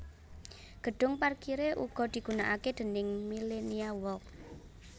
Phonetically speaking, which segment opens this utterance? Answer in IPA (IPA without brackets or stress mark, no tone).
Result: ɡ̥